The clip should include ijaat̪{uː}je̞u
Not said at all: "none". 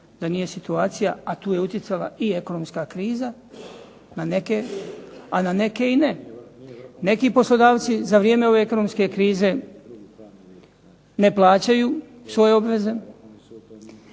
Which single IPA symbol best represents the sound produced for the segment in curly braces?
uː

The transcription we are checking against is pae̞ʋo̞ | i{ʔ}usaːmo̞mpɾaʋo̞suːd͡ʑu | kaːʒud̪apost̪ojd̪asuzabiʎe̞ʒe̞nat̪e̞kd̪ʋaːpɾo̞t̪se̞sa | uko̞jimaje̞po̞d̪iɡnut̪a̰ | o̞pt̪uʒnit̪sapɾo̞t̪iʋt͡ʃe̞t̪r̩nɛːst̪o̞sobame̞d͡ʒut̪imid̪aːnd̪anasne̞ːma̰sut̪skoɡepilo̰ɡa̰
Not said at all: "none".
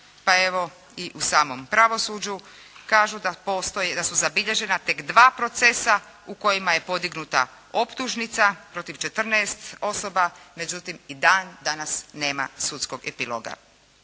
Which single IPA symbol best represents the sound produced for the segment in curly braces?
ʔ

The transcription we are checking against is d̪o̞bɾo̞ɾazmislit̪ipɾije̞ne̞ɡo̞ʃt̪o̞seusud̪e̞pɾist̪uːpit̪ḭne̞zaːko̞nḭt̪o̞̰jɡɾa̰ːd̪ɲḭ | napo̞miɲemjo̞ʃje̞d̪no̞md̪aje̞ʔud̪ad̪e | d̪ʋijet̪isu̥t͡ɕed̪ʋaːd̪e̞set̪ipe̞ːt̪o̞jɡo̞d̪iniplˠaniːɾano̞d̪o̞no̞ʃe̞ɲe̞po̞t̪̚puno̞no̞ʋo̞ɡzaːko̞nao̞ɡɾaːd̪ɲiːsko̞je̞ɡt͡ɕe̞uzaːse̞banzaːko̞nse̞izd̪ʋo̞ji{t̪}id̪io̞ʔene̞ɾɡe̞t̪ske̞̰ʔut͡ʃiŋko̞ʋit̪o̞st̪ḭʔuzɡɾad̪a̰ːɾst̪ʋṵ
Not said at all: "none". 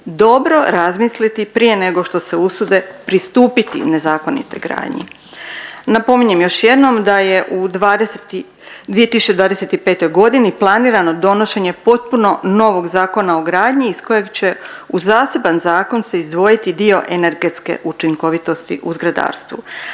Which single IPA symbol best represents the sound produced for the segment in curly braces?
t̪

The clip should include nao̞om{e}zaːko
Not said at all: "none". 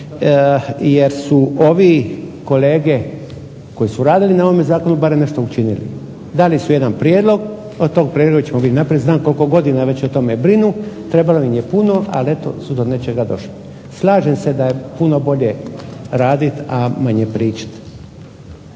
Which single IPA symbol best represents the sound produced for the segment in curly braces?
e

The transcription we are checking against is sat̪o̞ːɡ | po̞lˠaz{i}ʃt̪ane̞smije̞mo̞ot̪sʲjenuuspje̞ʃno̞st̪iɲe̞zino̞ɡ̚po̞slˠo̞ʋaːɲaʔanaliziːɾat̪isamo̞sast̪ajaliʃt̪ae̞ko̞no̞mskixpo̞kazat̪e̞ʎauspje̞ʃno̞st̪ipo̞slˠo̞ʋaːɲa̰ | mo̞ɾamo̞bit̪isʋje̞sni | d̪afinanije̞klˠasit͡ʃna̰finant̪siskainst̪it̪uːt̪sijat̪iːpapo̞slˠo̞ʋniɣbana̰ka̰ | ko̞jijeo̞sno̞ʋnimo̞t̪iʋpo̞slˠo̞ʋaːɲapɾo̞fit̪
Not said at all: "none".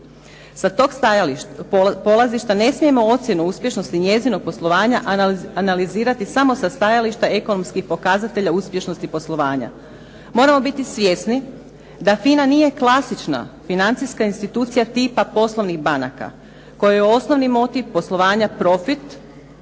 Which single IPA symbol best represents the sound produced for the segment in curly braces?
i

